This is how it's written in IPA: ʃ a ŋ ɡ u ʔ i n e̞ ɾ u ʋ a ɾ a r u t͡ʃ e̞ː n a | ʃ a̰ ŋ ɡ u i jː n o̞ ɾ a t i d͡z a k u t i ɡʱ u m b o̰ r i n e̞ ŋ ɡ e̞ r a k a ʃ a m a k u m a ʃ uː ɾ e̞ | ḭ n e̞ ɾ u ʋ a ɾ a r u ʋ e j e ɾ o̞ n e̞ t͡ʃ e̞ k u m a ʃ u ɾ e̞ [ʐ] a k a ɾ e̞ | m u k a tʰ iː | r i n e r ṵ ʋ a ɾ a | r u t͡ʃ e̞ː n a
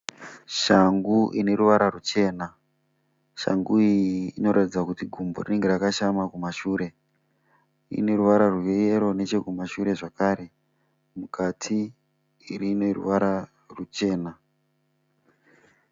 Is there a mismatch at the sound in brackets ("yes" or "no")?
no